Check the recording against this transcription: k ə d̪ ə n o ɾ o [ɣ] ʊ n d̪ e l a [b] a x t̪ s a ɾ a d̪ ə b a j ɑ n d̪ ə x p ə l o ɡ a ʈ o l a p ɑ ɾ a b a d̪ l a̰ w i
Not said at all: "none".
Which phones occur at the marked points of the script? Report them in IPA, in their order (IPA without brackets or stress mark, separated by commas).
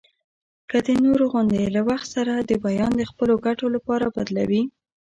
ɣ, w